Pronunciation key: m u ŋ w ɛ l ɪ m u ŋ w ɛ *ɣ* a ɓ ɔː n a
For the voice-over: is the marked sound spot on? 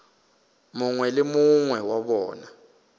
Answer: no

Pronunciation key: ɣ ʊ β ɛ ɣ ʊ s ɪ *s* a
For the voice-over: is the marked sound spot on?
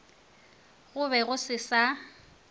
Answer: yes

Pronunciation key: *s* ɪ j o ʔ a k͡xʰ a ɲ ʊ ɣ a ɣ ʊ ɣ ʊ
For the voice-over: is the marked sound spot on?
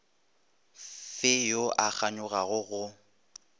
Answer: no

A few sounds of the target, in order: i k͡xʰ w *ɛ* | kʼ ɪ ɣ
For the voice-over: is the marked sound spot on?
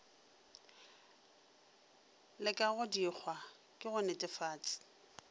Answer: no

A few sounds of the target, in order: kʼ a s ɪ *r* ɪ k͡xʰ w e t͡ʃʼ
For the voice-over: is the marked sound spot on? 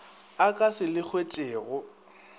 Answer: no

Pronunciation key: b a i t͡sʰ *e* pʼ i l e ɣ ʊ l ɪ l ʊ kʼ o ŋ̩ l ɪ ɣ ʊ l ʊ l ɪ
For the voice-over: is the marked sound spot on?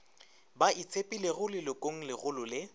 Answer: yes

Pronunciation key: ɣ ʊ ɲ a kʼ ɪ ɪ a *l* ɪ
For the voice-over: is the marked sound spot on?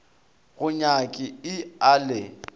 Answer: yes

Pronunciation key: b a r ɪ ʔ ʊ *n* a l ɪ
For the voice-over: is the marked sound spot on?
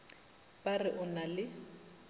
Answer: yes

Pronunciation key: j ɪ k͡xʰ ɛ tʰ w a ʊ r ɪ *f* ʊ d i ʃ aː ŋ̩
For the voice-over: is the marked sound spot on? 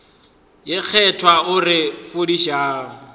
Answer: yes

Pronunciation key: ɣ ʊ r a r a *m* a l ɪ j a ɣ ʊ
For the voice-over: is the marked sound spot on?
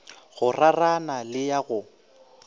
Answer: no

